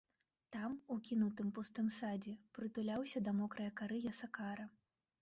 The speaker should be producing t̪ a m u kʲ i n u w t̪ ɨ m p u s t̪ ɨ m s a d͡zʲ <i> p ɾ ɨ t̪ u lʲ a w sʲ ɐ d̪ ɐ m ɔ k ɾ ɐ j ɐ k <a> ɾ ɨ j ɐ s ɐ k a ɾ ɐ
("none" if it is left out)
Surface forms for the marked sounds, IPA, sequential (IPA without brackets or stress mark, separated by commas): ɛ, a